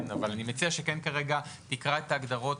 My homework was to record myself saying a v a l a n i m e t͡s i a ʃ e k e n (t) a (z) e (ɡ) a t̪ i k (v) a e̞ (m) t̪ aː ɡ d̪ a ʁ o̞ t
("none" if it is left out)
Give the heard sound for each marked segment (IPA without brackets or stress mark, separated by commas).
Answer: k, ʁ, ɡ, ʁ, none